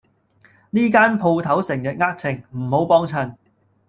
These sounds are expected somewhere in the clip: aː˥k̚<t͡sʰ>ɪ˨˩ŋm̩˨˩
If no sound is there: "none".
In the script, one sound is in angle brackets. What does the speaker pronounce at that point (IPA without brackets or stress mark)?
t͡sʰ